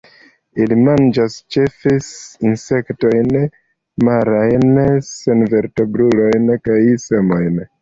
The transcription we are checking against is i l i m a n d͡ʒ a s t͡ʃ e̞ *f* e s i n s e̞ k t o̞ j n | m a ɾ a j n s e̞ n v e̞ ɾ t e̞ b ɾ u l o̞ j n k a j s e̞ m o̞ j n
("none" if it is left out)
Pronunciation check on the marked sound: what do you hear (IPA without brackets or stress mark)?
f